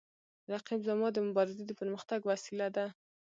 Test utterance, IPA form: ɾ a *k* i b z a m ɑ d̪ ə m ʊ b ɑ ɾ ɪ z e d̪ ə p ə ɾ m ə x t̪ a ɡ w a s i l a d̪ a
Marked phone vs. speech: incorrect: q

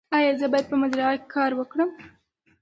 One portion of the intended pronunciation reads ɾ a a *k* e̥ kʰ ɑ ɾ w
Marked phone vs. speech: correct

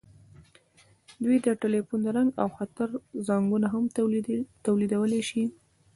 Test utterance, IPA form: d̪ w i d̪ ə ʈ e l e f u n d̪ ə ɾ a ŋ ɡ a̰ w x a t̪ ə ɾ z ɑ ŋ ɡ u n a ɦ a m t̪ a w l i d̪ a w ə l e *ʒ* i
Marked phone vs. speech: incorrect: ʃ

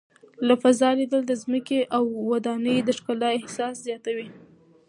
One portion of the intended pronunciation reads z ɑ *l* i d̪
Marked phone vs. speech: correct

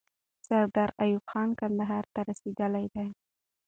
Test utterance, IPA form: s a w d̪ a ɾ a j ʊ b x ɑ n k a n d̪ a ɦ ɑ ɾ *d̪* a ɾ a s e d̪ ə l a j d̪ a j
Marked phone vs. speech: incorrect: t̪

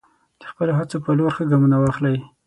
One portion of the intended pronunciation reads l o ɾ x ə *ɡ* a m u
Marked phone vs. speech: correct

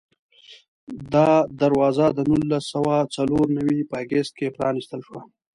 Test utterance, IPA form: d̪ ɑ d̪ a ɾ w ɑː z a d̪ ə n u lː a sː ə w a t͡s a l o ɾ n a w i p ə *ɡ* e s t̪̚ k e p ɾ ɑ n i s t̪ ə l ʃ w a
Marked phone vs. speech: correct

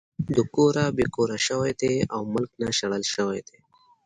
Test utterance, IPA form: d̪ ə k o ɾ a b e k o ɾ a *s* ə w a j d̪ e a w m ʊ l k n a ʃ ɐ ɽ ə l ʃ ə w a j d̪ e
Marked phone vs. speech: incorrect: ʃ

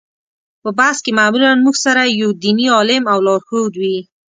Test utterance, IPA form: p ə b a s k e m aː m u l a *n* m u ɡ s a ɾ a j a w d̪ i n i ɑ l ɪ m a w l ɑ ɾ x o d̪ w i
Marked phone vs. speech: correct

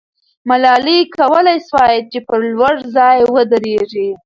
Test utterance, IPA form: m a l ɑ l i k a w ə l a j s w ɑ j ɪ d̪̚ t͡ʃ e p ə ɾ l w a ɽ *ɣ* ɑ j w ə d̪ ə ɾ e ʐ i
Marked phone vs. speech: incorrect: z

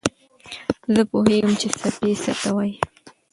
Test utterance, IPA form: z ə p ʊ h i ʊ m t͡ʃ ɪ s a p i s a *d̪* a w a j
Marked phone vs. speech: incorrect: t̪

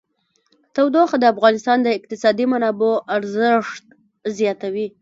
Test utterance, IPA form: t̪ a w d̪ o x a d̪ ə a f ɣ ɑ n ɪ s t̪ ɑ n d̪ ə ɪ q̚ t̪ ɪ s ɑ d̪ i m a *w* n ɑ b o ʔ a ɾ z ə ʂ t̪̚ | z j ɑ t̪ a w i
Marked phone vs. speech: incorrect: none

